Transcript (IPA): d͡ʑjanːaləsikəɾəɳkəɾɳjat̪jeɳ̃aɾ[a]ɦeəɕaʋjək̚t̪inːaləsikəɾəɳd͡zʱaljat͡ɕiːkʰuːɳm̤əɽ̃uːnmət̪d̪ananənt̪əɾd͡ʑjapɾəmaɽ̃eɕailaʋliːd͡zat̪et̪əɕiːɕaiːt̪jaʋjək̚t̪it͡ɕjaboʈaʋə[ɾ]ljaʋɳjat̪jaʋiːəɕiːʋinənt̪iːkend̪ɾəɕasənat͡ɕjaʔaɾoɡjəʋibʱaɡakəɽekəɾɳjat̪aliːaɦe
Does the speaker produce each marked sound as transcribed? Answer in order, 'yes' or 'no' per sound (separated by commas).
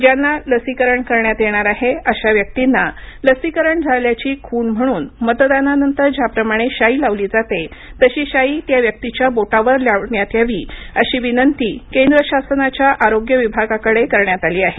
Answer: yes, yes